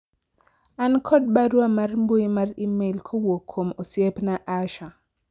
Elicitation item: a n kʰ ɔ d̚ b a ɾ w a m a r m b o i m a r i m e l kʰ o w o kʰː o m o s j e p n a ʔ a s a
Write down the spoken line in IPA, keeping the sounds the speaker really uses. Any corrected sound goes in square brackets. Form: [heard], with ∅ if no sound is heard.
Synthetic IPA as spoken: a n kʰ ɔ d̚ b a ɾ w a m a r m b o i m a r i m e l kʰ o w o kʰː o m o s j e p n a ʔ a [ʃ] a